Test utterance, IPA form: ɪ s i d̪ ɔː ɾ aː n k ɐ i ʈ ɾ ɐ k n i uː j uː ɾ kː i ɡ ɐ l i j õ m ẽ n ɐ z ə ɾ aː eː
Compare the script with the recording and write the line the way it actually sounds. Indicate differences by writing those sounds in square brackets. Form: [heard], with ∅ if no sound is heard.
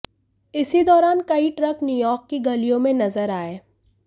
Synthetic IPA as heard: ɪ s i d̪ ɔː ɾ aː n k ɐ i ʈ ɾ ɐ k n [j] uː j [ɔː] ɾ kː i ɡ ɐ l i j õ m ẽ n ɐ z ə ɾ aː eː